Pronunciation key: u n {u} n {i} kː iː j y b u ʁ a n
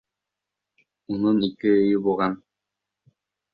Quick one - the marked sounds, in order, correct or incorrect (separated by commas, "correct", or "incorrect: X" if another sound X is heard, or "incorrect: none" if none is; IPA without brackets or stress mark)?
correct, correct